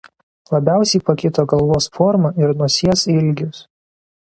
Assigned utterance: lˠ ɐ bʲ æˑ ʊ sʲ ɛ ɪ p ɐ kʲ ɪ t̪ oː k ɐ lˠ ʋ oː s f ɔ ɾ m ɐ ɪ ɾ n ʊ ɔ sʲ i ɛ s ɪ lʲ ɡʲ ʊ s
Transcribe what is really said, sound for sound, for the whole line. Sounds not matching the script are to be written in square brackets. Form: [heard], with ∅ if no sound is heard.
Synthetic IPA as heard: lˠ ɐ bʲ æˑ ʊ sʲ ɛ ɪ p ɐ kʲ ɪ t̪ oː [ɡ] ɐ lˠ ʋ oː s f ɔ ɾ m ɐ ɪ ɾ n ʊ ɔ sʲ i ɛ s ɪ lʲ ɡʲ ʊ s